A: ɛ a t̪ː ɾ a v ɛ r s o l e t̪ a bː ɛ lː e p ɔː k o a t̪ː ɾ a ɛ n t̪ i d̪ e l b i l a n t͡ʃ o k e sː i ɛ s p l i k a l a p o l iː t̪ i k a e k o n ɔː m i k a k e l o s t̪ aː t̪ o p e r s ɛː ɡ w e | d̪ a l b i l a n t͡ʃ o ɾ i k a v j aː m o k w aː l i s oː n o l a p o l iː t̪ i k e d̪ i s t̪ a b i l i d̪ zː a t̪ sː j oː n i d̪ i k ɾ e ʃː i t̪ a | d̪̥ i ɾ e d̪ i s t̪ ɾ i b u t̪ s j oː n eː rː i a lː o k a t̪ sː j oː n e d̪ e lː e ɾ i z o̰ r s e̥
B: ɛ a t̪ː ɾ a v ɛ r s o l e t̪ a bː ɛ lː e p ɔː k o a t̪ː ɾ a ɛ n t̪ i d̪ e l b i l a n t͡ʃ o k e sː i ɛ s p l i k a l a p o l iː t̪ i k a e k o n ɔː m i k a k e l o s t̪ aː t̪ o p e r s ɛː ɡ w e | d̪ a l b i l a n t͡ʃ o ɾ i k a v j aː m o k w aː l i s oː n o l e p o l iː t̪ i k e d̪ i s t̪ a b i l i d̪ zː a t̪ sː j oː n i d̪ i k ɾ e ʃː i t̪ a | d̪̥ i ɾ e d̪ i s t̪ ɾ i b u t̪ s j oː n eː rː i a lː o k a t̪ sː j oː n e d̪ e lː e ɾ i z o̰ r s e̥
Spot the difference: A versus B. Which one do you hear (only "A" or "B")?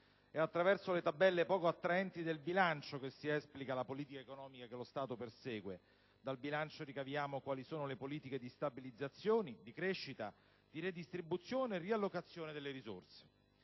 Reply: B